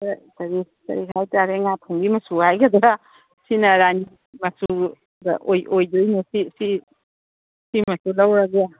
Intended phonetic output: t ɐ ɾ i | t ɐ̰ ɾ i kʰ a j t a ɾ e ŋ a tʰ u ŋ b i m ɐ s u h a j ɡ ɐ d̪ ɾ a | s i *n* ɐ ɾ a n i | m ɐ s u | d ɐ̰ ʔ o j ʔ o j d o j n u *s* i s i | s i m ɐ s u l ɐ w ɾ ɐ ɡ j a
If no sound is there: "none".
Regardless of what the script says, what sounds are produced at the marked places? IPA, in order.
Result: n, s

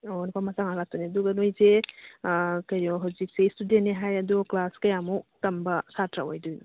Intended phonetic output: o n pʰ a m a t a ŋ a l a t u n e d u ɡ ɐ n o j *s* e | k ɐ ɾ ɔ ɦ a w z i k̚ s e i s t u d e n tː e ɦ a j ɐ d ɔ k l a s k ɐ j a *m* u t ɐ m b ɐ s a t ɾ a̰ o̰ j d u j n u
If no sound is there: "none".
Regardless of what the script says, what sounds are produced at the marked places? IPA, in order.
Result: z, m

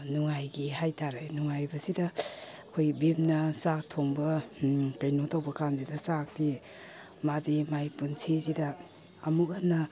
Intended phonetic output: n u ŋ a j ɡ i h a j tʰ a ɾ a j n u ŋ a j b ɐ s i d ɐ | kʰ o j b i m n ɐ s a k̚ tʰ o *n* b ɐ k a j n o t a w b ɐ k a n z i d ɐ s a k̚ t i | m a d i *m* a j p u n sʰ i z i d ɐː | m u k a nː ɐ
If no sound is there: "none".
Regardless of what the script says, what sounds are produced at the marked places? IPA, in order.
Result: ŋ, m

